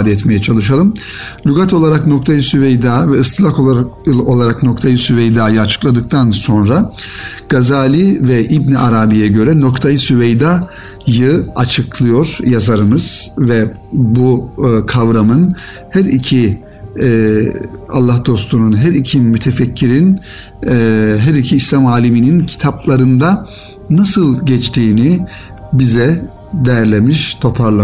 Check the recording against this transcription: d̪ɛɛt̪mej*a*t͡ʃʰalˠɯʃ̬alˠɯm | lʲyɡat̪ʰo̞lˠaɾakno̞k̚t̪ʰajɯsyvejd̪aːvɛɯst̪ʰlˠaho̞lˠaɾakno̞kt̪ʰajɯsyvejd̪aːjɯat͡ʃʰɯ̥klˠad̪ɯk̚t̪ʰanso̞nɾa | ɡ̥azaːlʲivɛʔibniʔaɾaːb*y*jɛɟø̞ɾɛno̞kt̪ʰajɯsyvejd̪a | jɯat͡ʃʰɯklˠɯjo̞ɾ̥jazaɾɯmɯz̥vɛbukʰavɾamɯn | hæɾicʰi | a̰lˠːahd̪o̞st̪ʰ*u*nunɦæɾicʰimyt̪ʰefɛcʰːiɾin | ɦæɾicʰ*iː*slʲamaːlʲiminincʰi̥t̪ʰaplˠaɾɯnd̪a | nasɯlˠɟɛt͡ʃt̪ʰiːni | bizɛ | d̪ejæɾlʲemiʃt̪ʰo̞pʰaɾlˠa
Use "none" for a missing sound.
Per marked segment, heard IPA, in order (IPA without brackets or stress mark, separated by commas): ɛ, i, u, iː